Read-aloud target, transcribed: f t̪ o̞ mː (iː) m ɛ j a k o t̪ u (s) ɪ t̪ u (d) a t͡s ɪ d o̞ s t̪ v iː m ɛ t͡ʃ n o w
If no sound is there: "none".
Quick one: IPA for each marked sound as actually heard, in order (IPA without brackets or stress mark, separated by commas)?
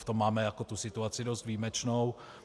aː, s, none